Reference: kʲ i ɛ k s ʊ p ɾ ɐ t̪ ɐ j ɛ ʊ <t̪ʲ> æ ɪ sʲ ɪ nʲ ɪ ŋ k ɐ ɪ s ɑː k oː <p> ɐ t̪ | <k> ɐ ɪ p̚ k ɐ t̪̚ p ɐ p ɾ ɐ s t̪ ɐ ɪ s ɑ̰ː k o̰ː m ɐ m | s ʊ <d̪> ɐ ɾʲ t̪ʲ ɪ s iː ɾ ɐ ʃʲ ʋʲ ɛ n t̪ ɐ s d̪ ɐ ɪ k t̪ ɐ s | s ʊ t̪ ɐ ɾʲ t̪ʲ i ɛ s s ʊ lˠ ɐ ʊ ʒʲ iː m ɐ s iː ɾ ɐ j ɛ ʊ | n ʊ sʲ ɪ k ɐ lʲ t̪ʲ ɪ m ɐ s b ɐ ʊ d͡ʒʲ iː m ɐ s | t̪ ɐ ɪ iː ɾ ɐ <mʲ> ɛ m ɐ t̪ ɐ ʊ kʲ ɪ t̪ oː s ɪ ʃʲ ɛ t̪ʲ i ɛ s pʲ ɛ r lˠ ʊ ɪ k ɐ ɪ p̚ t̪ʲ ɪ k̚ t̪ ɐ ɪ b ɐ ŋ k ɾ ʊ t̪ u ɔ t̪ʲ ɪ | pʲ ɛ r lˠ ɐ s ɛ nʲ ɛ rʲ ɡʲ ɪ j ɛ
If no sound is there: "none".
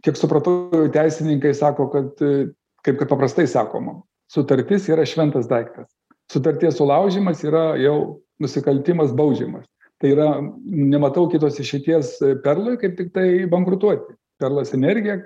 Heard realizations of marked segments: t̪ʲ, k, k, t̪, nʲ

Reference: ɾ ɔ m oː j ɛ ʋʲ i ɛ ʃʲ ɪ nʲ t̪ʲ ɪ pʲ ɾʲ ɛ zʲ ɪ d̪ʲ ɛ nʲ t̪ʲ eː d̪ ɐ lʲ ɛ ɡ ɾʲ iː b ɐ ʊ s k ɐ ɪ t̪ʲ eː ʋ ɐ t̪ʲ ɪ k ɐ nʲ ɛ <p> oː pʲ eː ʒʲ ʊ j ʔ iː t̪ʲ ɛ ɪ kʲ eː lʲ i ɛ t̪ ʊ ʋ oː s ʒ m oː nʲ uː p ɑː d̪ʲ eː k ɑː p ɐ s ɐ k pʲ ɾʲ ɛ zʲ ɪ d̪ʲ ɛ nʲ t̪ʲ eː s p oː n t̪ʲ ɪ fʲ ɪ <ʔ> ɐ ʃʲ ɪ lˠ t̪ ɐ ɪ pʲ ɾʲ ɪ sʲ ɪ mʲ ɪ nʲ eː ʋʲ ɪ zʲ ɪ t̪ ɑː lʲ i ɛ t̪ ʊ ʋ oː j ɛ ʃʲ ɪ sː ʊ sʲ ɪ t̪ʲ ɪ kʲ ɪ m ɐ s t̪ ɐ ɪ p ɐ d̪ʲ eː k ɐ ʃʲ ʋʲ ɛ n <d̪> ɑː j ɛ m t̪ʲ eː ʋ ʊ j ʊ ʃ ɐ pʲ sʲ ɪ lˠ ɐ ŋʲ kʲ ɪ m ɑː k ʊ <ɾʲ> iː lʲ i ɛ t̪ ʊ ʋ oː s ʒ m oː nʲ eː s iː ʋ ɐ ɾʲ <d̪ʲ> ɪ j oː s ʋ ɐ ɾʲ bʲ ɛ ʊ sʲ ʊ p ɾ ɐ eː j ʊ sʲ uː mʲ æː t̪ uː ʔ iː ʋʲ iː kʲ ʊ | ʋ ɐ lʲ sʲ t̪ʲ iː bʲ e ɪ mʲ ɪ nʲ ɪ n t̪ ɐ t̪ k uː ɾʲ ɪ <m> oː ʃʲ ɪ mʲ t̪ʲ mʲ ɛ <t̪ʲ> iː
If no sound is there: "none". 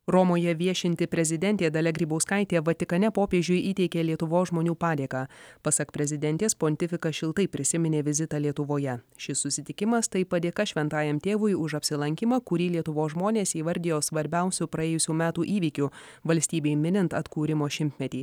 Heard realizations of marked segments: p, k, t̪, ɾʲ, d̪ʲ, m, t̪ʲ

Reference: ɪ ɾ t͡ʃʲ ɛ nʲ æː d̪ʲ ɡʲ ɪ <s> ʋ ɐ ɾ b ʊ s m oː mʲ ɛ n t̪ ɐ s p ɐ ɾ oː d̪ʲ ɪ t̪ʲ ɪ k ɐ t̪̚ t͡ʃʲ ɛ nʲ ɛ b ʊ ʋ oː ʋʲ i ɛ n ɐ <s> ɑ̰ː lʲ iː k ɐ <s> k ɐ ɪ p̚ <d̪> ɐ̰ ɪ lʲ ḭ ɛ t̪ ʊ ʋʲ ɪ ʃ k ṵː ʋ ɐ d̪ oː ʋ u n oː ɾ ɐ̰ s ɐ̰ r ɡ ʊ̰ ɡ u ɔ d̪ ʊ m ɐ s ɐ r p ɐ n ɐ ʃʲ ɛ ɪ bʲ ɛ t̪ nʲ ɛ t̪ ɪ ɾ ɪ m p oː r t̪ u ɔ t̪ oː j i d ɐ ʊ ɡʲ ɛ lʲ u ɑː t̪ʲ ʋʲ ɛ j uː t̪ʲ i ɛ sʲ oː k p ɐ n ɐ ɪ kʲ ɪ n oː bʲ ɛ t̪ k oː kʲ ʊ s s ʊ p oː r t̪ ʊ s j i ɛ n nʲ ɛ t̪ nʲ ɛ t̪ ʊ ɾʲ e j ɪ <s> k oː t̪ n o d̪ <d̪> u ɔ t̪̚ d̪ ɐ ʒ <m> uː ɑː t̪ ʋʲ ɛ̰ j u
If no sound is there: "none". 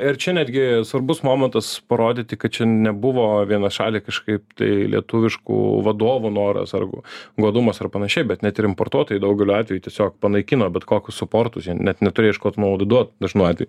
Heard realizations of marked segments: s, ʃ, ʃ, t̪, ʃ, d̪, n

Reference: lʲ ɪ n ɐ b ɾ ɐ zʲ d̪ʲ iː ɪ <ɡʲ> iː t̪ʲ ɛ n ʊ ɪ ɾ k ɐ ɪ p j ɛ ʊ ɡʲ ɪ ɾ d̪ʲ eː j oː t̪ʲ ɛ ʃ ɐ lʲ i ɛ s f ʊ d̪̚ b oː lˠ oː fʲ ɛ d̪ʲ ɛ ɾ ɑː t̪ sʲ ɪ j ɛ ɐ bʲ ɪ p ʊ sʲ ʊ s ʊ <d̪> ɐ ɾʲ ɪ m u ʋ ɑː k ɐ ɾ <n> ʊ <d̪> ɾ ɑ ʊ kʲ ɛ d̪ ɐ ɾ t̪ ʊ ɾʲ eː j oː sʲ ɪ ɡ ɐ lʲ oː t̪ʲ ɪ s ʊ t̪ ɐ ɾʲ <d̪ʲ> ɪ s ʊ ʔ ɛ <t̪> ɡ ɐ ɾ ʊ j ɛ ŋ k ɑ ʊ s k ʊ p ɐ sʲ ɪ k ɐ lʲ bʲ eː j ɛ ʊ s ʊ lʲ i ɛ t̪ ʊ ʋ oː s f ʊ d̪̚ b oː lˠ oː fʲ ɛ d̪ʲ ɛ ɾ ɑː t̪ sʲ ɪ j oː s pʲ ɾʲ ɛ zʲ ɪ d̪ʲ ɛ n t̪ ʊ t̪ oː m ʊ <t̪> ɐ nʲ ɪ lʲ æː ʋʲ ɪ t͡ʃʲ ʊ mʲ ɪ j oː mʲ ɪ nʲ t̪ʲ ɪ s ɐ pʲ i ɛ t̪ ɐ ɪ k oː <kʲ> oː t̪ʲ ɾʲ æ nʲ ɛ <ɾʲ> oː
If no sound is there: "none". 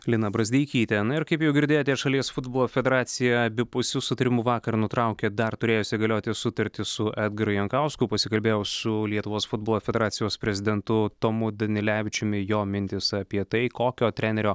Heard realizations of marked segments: kʲ, t̪, n, t̪, t̪ʲ, d̪, d̪, kʲ, ɾʲ

